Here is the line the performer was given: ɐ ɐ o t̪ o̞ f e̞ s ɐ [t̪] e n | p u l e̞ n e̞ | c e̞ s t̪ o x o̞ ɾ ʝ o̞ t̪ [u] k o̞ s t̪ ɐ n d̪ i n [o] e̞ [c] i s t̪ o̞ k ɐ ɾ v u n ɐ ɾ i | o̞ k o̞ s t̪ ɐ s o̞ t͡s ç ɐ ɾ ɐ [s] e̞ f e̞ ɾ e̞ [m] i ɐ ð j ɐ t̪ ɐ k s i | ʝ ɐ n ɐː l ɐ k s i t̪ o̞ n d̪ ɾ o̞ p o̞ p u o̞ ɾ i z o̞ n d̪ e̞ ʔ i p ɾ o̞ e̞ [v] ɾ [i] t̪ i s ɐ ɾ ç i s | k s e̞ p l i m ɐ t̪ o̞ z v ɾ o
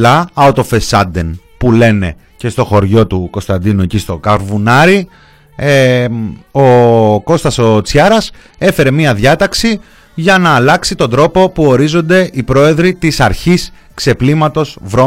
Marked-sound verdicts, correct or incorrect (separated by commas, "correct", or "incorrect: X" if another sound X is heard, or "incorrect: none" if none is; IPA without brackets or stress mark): incorrect: d̪, correct, incorrect: u, correct, correct, correct, incorrect: ð, correct